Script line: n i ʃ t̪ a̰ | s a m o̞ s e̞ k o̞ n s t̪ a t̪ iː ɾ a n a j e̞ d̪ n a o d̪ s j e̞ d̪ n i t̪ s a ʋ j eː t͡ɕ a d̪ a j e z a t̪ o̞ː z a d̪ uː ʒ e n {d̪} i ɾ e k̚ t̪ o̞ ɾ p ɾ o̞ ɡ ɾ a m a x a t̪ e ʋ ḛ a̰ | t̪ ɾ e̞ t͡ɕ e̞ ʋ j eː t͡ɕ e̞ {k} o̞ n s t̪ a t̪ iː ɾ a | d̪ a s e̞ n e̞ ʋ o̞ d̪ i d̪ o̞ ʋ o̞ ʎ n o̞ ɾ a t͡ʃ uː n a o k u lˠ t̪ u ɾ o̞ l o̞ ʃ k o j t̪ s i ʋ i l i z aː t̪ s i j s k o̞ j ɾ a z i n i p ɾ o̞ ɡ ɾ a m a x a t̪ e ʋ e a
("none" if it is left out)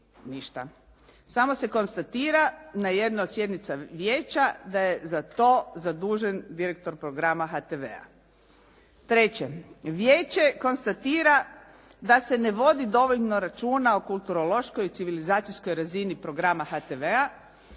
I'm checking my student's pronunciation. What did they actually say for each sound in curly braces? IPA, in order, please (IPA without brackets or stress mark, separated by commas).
d̪, k